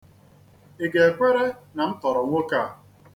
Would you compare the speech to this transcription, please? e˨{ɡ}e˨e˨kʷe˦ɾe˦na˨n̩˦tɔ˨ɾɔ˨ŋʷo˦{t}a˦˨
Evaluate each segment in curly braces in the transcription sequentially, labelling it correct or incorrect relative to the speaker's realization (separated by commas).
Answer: correct, incorrect